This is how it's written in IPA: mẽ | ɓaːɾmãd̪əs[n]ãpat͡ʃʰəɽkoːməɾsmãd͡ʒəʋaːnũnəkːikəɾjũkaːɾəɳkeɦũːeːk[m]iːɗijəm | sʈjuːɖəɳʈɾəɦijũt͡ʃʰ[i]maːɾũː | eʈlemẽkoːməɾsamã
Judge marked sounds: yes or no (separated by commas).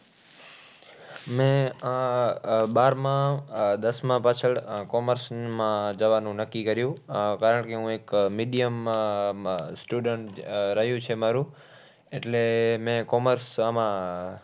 no, yes, no